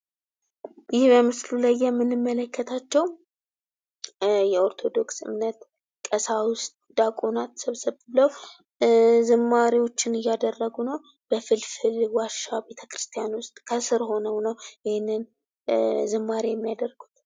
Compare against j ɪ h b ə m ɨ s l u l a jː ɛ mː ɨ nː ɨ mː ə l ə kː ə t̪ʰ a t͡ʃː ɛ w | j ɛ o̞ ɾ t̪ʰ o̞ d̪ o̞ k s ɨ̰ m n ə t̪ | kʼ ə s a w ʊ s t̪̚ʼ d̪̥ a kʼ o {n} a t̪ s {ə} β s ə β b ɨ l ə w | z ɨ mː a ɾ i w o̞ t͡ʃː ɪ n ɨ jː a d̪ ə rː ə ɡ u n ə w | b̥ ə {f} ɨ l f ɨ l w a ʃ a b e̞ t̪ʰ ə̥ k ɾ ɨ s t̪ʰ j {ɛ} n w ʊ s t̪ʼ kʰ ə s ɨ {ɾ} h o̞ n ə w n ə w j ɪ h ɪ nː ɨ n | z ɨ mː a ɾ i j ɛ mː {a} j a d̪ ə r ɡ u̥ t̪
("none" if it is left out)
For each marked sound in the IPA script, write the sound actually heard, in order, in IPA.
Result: n, ə, f, a, ɾ, i

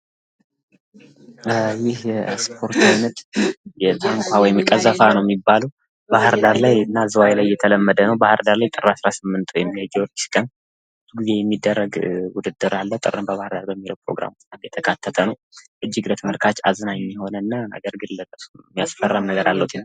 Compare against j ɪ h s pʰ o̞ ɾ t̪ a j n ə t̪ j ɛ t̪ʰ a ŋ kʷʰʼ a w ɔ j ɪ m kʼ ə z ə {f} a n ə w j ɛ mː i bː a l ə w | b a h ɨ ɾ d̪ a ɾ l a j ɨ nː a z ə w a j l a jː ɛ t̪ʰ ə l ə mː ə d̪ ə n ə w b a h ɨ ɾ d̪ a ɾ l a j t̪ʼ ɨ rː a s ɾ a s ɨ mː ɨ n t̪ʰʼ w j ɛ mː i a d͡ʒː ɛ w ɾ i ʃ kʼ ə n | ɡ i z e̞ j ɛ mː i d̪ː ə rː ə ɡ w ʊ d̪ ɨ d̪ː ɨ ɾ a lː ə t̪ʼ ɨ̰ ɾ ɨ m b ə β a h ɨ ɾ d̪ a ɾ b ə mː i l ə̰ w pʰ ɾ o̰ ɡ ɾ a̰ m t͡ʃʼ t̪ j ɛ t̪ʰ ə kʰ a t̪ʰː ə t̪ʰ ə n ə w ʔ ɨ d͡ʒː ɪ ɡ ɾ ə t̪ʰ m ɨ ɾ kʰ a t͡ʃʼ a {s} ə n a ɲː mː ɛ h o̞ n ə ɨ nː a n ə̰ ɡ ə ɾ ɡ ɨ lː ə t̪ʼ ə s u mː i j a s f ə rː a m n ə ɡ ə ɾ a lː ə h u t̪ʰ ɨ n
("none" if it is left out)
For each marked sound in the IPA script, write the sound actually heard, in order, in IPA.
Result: f, z

